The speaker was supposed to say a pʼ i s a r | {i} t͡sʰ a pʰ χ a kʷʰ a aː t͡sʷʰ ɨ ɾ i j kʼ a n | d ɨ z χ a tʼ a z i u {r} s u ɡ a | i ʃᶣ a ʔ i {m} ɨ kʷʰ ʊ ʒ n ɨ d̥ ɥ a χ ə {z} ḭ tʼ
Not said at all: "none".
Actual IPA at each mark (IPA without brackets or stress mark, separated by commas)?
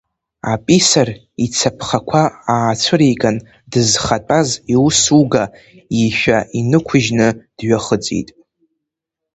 i, none, n, d͡z